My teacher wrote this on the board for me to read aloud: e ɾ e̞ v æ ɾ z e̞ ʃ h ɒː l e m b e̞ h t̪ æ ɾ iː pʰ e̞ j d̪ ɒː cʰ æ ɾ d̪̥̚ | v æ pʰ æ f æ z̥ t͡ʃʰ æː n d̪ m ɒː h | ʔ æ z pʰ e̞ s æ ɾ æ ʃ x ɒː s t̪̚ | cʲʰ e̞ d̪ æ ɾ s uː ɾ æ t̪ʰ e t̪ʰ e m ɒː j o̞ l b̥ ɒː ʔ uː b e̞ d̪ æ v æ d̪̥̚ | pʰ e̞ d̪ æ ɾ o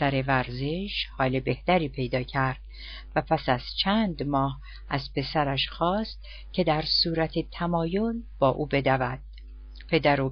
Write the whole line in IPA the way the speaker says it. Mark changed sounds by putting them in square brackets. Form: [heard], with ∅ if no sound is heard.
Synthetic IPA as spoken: [æ] ɾ e̞ v æ ɾ z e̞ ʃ h ɒː l e [∅] b e̞ h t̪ æ ɾ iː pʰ e̞ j d̪ ɒː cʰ æ ɾ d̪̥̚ | v æ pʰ æ [s] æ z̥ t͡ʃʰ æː n d̪ m ɒː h | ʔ æ z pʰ e̞ s æ ɾ æ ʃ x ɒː s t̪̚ | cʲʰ e̞ d̪ æ ɾ s uː ɾ æ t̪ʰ e t̪ʰ [æ] m ɒː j o̞ l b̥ ɒː ʔ uː b e̞ d̪ æ v æ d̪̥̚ | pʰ e̞ d̪ æ ɾ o